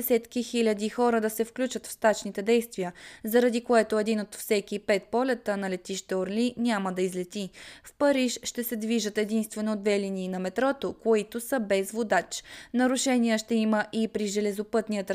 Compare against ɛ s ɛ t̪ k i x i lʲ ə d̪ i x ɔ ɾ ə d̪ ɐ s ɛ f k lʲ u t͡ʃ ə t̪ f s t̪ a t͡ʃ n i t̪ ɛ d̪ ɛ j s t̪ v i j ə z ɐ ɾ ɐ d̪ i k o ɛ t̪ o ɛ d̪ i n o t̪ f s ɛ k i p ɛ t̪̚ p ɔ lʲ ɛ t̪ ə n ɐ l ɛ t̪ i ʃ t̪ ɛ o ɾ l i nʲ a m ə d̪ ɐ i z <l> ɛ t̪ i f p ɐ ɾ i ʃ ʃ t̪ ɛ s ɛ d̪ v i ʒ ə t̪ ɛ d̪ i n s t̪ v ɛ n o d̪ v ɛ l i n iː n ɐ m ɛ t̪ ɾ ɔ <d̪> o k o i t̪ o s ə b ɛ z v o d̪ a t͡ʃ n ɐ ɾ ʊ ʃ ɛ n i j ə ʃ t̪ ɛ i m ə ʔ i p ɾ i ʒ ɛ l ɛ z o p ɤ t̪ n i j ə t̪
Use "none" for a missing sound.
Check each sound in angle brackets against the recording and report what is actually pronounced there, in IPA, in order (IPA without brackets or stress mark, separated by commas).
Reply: l, t̪